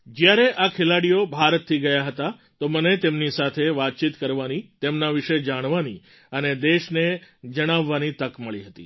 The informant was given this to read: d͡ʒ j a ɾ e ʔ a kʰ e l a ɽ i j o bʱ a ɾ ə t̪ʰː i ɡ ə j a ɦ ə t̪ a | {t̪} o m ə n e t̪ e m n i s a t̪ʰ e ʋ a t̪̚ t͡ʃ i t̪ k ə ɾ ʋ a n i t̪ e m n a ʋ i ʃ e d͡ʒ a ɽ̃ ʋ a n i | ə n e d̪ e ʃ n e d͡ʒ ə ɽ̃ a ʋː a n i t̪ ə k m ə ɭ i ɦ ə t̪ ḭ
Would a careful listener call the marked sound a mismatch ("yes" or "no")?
no